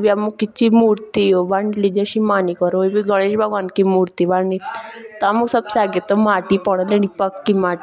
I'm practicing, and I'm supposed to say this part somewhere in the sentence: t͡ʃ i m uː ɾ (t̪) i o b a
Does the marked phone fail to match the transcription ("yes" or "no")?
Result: no